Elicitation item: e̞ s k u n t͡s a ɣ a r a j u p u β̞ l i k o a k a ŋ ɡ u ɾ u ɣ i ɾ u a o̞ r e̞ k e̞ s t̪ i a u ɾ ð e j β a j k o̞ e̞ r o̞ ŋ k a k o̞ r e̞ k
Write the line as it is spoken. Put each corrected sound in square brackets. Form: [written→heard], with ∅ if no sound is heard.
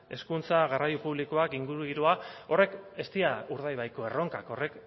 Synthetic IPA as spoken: e̞ s k u n t͡s a ɣ a r a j u p u β̞ l i k o a k [a→i] ŋ ɡ u ɾ u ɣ i ɾ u a o̞ r e̞ k e̞ s t̪ i a u ɾ ð [e→a] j β a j k o̞ e̞ r o̞ ŋ k a k o̞ r e̞ k